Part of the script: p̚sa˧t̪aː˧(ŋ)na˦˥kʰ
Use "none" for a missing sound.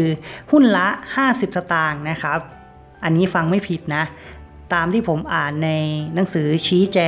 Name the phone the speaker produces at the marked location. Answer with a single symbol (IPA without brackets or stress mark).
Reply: ŋ